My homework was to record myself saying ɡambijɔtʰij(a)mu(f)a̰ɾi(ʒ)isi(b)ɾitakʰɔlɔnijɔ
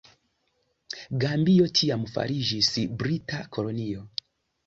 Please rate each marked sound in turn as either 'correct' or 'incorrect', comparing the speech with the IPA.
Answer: correct, correct, correct, correct

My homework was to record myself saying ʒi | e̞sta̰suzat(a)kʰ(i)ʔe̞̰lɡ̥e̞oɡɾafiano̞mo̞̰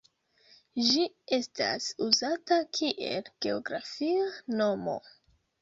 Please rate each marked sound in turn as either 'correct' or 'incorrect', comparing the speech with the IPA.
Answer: correct, correct

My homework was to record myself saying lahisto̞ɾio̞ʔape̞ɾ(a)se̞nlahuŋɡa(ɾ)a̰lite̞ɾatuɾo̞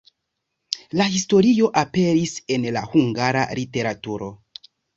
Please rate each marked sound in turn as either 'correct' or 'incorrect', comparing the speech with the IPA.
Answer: incorrect: i, correct

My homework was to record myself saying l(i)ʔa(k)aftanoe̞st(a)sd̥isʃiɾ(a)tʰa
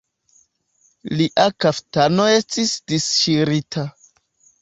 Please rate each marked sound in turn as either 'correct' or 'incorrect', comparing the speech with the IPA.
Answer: correct, correct, incorrect: i, incorrect: i

